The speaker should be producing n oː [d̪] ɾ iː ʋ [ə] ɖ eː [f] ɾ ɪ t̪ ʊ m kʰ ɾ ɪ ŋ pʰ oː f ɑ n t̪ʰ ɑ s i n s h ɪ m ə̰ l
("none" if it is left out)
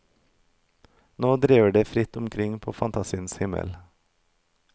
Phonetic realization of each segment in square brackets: d̪, ə, f

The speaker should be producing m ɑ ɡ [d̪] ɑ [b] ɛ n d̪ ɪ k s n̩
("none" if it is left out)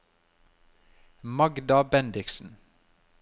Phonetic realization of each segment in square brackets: d̪, b

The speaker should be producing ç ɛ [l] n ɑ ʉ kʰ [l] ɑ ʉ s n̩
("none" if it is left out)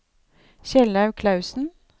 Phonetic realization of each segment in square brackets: l, l

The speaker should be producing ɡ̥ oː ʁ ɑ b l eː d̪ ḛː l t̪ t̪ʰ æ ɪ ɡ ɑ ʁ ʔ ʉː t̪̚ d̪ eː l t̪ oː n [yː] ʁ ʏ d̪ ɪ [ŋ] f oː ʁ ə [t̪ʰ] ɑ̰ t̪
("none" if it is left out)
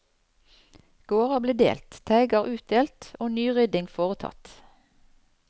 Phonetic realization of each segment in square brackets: yː, ŋ, t̪ʰ

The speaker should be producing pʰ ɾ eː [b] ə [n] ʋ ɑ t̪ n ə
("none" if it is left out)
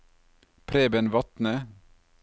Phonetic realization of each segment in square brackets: b, n

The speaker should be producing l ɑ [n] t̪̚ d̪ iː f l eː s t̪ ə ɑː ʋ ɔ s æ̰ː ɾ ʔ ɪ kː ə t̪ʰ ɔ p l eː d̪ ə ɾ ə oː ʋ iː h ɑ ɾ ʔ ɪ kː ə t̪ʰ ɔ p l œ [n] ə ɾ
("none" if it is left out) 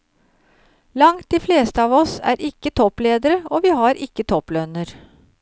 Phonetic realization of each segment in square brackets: ŋ, n

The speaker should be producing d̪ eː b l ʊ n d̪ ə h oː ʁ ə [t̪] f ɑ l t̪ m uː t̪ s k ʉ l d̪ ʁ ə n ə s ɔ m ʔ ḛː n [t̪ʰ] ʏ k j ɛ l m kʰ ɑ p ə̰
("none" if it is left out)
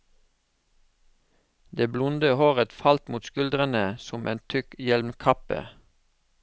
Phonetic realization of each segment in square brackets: t̪, t̪ʰ

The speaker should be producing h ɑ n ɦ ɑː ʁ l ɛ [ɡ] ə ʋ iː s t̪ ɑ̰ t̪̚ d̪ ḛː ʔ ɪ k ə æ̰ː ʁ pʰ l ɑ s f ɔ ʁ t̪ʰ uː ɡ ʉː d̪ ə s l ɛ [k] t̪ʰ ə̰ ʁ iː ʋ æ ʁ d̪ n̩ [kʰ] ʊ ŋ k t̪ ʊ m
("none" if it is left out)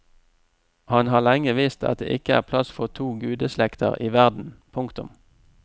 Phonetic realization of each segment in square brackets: ŋ, k, pʰ

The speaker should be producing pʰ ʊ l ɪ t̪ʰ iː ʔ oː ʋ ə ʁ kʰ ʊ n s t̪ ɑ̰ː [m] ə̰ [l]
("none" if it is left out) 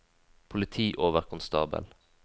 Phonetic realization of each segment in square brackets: b, l

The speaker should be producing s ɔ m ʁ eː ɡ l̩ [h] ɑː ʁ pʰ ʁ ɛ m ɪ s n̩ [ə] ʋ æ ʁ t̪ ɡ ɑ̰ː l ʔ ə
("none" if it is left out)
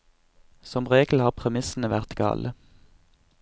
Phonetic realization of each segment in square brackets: h, ə

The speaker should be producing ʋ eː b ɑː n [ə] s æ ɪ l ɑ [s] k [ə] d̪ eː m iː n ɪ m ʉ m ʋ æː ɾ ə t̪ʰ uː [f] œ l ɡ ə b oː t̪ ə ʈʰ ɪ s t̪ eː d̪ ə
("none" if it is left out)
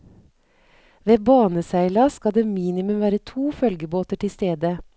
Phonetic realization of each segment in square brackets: ə, s, ɑ, f

